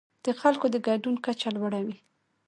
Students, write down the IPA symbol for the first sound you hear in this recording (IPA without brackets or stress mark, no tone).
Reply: d̪̥